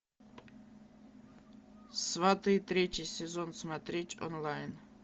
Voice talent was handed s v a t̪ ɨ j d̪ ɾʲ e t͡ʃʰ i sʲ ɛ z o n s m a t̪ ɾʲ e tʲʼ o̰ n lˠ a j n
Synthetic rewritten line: s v a t̪ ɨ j t̪ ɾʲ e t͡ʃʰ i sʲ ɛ z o n s m a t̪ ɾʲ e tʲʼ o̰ n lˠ a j n